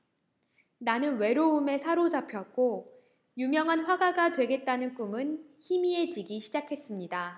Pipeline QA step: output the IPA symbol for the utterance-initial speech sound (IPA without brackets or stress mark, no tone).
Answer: n